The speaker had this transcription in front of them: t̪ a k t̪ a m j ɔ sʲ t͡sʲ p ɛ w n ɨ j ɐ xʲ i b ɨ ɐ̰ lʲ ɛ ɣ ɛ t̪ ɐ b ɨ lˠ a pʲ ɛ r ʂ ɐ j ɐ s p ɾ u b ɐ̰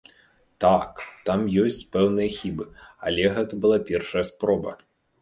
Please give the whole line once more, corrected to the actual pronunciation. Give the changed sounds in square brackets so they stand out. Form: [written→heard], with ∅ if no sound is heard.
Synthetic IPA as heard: t̪ a k t̪ a m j ɔ sʲ t͡sʲ p ɛ w n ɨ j ɐ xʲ i b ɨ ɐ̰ lʲ ɛ ɣ ɛ t̪ ɐ b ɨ lˠ a pʲ ɛ r ʂ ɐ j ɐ s p ɾ [u→ɔ] b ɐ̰